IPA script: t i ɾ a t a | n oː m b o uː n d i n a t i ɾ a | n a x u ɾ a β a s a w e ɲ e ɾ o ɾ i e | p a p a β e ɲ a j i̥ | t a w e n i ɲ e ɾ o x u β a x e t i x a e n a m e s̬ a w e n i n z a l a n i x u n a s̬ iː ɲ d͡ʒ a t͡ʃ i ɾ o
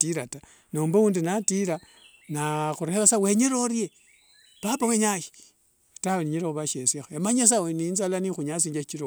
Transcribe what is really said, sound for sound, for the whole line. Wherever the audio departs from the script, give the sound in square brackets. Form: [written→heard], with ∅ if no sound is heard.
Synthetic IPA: t i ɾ a t a | n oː m b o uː n d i n a t i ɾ a | n a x u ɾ [a→e] β a s a w e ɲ e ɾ o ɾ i e | p a p a [β→w] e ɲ a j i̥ | t a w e n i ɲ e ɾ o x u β a [x→ʃ] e [t→s] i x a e [n→m] a [m→ɲ] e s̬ a w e n i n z a l a n i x u [n→ɲ] a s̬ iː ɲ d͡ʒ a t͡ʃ i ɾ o